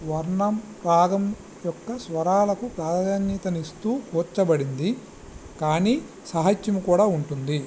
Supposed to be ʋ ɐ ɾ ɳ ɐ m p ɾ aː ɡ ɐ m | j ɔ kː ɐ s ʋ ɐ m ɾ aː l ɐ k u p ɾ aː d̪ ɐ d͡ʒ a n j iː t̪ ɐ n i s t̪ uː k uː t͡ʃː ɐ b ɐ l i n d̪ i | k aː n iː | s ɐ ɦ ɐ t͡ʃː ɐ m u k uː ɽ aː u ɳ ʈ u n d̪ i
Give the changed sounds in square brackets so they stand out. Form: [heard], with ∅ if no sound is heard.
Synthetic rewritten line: ʋ ɐ ɾ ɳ ɐ m p ɾ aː ɡ ɐ m | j ɔ kː ɐ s ʋ ɐ [∅] ɾ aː l ɐ k u p ɾ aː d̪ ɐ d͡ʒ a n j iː t̪ ɐ n i s t̪ uː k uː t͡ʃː ɐ b ɐ [ɽ] i n d̪ i | k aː n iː | s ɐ ɦ ɐ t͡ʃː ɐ m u k uː ɽ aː u ɳ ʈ u n d̪ i